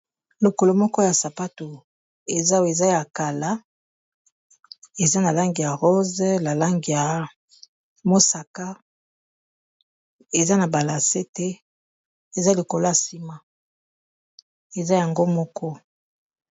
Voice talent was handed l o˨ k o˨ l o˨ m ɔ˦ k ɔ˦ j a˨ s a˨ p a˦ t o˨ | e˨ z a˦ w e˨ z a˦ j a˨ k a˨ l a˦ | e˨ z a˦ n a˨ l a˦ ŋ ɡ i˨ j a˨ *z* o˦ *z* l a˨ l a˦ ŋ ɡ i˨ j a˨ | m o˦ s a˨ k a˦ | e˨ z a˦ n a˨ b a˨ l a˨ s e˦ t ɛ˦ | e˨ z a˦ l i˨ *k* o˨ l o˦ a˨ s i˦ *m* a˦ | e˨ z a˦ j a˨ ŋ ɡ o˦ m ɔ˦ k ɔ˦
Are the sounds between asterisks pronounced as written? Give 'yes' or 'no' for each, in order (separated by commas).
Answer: no, yes, yes, yes